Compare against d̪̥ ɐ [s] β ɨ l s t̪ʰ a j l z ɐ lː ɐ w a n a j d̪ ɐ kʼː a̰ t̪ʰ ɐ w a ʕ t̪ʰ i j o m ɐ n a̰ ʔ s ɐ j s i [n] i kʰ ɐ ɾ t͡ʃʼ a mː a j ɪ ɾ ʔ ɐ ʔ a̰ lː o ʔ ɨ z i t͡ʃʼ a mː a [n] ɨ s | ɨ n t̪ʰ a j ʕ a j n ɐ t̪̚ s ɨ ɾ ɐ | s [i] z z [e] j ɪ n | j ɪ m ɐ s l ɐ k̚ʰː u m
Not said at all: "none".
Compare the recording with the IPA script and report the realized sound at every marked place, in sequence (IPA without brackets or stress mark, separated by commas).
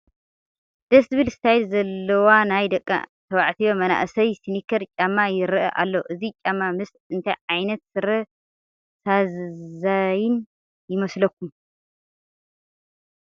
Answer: s, n, m, a, a